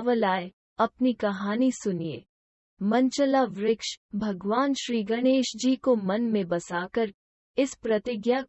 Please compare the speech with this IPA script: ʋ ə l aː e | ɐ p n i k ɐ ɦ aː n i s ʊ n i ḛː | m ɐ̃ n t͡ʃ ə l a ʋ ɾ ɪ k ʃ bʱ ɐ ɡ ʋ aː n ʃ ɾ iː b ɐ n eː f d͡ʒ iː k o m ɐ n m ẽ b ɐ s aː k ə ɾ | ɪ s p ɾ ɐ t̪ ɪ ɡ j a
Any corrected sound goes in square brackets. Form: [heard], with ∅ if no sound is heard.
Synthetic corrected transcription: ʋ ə l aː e | ɐ p n i k ɐ ɦ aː n i s ʊ n i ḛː | m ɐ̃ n t͡ʃ ə l a ʋ ɾ ɪ k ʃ bʱ ɐ ɡ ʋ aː n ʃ ɾ iː [ɡ] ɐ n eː [ʃ] d͡ʒ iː k o m ɐ n m ẽ b ɐ s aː k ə ɾ | ɪ s p ɾ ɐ t̪ ɪ ɡ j a